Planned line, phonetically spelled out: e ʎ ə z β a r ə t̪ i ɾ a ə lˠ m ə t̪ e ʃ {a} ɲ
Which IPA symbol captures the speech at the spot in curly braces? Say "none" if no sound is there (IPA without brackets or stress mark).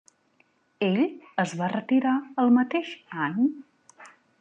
a